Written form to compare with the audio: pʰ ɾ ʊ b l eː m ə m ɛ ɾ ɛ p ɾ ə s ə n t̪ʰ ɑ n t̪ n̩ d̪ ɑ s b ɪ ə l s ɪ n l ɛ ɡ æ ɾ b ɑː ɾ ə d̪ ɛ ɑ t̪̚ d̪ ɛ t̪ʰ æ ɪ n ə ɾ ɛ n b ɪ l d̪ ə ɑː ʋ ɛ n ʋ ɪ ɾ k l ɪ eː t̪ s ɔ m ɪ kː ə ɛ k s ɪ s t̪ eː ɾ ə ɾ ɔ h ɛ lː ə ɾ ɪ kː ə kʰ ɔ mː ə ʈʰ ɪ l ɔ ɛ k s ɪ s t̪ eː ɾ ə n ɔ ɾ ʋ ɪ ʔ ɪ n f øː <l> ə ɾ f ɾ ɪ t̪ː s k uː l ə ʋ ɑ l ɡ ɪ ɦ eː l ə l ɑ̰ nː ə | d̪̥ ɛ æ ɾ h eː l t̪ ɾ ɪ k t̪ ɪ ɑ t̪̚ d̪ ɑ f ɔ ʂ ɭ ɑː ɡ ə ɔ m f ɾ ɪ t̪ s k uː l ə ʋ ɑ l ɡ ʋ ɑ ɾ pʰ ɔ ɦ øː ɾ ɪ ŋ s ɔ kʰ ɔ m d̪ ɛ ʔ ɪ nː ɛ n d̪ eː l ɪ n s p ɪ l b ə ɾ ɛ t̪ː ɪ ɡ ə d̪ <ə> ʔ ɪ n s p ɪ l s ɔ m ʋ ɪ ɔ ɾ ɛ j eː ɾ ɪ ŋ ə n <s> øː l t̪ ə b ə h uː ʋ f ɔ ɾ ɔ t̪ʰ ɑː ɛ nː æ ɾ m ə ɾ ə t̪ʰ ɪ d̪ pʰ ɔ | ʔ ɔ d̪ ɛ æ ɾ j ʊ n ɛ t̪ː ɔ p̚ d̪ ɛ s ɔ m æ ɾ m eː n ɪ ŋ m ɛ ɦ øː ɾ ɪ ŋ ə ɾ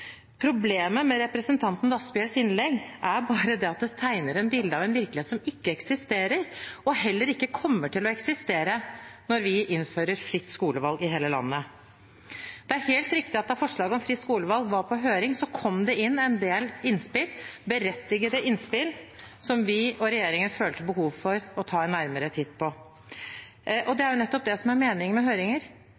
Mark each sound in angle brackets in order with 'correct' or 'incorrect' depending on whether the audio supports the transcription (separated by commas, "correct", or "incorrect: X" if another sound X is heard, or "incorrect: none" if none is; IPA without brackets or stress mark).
incorrect: ɾ, correct, incorrect: f